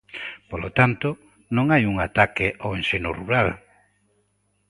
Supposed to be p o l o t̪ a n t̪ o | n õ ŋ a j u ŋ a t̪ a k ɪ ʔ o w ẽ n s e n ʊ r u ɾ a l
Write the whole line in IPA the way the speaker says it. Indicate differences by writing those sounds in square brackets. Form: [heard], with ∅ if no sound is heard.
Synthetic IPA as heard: p o l o t̪ a n t̪ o | n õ ŋ a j u ŋ a t̪ a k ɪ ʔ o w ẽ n s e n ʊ r u ɾ a l